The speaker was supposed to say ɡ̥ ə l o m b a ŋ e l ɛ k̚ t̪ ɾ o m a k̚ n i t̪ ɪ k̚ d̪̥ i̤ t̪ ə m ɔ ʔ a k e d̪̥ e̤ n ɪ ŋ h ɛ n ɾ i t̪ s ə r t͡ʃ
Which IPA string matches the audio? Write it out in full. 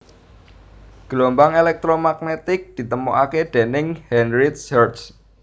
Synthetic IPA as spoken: ɡ̥ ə l o m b a ŋ e l ɛ k̚ t̪ ɾ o m a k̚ n e t̪ ɪ k̚ d̪̥ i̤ t̪ ə m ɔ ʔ a k e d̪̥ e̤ n ɪ ŋ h ɛ n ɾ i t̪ s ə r t͡ʃ